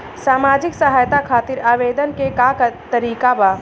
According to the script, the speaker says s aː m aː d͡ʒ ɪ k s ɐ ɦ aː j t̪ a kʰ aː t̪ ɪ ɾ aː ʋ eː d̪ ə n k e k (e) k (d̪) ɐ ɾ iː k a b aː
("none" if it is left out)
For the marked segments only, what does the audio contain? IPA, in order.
a, t̪

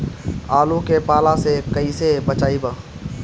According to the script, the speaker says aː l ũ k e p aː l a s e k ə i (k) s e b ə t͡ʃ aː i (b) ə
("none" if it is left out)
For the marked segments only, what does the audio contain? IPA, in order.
none, b

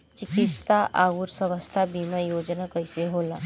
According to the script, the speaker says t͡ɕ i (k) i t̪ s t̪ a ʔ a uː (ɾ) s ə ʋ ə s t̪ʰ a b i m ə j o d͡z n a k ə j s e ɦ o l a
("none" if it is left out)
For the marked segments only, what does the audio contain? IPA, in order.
k, ɾ

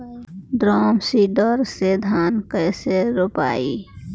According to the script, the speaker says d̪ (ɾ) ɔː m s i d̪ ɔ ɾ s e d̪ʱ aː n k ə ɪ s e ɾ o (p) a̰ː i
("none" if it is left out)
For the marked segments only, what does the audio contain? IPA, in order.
ɾ, p

